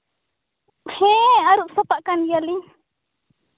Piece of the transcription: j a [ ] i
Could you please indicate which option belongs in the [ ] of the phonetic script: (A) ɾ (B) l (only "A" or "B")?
B